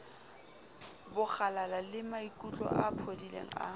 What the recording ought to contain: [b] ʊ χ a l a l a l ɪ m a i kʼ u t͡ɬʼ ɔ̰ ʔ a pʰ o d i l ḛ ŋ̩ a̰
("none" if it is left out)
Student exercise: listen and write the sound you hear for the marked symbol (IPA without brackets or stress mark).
b